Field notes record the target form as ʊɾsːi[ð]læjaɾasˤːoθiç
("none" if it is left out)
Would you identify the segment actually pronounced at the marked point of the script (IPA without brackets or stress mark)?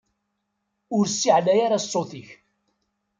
ʕ